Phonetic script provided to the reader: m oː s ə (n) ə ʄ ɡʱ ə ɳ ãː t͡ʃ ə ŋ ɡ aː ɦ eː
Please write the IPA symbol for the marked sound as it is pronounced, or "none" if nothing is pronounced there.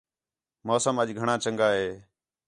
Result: m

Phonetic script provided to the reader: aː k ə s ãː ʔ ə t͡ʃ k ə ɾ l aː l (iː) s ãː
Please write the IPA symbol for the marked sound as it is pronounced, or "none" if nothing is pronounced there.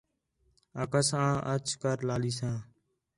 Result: iː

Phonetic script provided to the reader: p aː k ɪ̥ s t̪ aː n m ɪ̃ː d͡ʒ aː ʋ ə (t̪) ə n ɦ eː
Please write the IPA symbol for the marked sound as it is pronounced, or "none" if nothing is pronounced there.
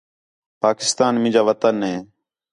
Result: t̪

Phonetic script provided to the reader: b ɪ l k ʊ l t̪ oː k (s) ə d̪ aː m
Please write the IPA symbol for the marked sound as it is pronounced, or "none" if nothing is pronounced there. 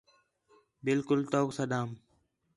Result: s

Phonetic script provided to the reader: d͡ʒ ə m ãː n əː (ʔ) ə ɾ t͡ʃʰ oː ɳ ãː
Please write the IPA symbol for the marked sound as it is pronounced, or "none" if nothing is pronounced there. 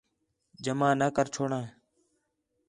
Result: k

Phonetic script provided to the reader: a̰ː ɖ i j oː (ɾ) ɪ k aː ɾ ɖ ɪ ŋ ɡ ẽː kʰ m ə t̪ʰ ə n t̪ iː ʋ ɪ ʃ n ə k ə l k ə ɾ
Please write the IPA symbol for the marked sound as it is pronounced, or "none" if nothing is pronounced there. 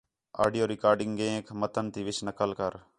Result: ɾ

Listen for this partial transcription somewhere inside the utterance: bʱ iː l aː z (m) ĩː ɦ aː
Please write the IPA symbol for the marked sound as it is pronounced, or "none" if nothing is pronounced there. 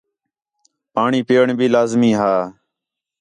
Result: m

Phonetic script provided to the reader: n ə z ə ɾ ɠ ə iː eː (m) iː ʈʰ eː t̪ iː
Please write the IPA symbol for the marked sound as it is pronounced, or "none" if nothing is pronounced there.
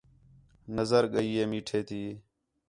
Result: m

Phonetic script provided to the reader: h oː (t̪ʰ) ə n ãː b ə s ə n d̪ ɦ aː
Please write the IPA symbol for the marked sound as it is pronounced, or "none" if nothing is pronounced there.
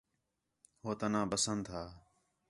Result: t̪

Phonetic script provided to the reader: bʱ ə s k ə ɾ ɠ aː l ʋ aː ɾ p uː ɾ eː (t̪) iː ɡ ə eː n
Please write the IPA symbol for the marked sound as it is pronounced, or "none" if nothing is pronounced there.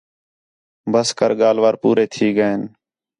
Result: t̪ʰ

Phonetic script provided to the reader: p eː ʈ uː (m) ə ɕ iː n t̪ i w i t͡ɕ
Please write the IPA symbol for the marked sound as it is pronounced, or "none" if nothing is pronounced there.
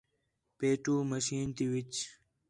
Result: m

